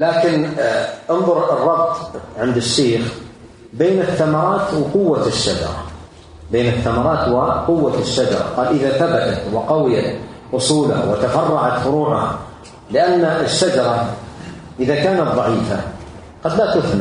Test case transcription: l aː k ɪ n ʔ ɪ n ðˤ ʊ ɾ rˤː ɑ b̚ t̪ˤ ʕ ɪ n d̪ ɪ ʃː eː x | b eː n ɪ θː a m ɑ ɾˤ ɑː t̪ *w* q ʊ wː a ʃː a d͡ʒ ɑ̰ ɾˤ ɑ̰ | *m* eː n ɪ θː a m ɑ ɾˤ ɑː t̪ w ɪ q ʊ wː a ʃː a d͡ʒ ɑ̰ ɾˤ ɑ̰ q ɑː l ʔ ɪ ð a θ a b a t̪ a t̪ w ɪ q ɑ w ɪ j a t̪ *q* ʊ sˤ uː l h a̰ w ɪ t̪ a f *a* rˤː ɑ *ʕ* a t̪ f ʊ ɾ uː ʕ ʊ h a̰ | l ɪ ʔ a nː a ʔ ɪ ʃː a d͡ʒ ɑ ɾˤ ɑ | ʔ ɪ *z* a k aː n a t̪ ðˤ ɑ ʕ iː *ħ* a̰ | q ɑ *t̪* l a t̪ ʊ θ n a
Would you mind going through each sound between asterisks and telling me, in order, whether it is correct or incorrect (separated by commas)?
correct, incorrect, incorrect, incorrect, correct, incorrect, incorrect, incorrect